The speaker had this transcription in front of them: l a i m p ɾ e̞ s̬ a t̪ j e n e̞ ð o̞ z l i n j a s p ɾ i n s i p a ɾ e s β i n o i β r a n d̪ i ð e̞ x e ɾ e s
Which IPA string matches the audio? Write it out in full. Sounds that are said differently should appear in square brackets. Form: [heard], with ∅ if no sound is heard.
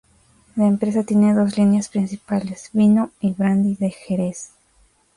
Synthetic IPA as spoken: l a [e] m p ɾ e̞ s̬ a t̪ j e n e̞ ð o̞ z l i n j a s p ɾ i n s i p a [l] e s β i n o i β [ɾ] a n d̪ i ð e̞ x e ɾ e s